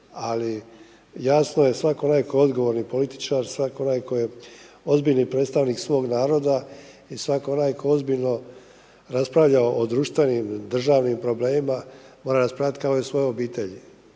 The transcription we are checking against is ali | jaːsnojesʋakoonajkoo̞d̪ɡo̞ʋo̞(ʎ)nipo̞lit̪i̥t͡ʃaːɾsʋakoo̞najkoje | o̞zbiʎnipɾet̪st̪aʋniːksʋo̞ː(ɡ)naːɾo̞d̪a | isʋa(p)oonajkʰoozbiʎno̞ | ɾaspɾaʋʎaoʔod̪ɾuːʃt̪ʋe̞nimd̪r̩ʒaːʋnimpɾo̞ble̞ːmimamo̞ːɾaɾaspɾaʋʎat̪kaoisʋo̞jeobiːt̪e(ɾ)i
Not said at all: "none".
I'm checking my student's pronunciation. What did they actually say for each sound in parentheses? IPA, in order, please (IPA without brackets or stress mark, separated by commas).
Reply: ɾ, ɡ, k, ʎ